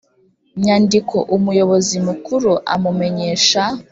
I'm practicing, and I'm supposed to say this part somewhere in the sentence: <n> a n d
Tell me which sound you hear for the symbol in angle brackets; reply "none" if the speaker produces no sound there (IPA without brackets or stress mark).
ɲ